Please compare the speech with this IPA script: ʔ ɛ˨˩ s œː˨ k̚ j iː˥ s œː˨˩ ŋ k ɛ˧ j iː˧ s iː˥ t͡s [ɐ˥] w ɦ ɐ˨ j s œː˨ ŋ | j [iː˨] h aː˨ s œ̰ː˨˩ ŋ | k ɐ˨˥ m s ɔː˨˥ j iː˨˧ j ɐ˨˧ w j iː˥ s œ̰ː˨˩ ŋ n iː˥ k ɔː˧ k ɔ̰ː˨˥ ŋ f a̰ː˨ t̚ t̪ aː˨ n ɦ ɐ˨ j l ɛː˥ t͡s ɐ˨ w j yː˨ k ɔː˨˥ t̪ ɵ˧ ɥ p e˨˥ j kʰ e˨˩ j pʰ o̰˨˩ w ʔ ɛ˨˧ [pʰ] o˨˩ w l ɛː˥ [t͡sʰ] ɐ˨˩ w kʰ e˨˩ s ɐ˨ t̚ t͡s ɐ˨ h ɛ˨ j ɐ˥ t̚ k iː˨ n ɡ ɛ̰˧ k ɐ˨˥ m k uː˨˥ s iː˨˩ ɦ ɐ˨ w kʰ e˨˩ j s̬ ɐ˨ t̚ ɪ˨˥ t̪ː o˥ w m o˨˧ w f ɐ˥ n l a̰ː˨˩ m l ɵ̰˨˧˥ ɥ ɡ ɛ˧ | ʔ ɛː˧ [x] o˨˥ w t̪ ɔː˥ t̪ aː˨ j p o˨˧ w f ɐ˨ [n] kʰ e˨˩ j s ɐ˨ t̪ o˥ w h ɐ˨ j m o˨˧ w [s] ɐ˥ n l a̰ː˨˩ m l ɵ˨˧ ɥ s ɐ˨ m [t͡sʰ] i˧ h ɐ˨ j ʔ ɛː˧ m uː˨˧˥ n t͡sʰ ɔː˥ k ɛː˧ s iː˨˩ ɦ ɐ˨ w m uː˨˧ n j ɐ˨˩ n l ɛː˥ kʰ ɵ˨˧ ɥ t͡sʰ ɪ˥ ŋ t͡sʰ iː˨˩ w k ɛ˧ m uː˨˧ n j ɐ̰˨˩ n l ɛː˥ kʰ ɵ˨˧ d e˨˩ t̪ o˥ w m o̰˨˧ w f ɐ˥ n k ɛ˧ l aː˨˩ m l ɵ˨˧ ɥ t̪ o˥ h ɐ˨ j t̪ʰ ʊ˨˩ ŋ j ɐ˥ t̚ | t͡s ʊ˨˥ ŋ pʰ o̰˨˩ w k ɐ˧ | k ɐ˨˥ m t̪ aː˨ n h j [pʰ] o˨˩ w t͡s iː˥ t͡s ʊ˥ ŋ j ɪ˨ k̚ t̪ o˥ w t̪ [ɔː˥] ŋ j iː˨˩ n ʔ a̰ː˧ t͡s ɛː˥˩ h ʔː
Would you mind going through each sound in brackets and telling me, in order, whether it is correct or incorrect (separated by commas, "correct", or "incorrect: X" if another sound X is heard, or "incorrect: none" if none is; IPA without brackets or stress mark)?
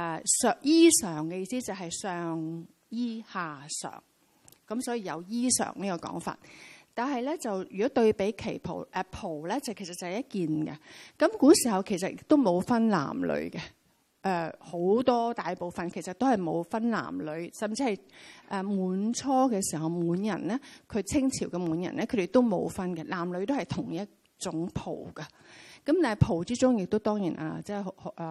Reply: incorrect: ɐ˨, incorrect: iː˥, correct, incorrect: t͡s, incorrect: h, correct, incorrect: f, incorrect: t͡s, correct, correct